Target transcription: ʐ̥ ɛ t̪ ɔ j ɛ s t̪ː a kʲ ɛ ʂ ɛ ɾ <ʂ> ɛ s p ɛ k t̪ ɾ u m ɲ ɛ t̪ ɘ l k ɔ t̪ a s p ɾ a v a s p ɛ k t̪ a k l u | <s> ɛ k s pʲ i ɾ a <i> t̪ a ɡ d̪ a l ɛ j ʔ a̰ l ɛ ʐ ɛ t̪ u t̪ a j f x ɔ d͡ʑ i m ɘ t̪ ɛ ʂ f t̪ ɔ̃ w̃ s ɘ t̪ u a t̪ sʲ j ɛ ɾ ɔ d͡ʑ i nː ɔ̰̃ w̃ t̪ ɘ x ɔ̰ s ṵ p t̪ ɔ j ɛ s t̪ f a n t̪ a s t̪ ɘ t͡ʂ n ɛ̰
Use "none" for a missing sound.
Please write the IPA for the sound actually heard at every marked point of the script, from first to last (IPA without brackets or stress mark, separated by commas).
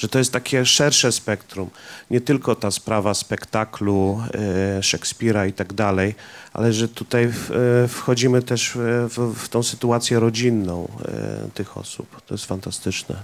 ʂ, ʂ, i